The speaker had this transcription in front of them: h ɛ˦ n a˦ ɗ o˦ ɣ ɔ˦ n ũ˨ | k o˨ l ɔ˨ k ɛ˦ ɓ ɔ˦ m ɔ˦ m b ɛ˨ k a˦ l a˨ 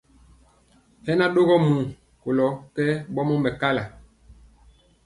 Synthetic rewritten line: h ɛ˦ n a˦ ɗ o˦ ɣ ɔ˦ m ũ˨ | k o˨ l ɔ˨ k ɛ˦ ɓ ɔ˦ m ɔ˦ m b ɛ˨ k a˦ l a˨